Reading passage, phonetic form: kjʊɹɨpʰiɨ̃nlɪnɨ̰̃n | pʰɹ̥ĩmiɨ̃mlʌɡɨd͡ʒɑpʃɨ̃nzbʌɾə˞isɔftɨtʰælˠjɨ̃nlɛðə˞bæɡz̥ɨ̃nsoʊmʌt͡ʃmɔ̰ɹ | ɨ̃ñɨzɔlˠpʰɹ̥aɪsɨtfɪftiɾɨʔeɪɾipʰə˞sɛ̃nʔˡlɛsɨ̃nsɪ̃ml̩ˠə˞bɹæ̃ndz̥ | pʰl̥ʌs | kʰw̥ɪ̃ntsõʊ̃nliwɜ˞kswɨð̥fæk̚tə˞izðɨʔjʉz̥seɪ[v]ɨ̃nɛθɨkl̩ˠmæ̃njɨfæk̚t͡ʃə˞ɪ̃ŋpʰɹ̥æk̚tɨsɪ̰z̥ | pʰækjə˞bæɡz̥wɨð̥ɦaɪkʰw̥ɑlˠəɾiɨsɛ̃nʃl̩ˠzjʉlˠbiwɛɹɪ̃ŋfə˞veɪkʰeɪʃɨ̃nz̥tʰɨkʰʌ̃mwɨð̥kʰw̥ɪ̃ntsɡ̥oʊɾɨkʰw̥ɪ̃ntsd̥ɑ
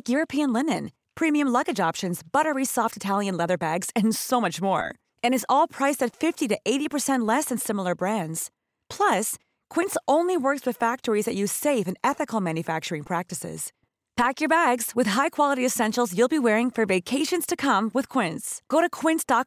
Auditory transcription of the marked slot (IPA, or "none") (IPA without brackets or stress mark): f